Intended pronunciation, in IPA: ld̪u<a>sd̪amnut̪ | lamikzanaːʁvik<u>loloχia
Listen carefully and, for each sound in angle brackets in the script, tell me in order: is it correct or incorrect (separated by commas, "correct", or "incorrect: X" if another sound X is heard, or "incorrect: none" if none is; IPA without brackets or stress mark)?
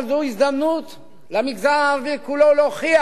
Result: incorrect: i, correct